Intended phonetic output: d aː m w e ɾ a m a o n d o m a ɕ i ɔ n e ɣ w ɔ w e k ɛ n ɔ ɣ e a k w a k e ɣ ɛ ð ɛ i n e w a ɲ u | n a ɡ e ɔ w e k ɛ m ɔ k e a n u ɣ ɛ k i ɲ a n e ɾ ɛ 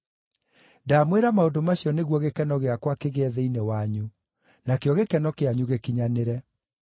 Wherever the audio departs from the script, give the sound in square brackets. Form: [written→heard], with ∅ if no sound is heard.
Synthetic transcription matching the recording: d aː m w e ɾ a m a o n d o m a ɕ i ɔ n e ɣ w ɔ [w→ɣ] e k ɛ n ɔ ɣ e a k w a k e ɣ ɛ ð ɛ i n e w a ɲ u | n a [ɡ→k] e ɔ [w→ɣ] e k ɛ [m→n] ɔ k e a [n→ɲ] u ɣ [ɛ→e] k i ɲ a n e ɾ ɛ